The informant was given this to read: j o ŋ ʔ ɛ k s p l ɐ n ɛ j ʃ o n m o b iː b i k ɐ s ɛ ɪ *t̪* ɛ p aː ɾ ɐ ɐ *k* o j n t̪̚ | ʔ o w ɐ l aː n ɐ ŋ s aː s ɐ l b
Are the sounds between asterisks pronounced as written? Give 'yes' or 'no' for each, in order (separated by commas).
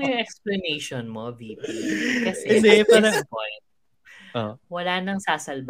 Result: no, no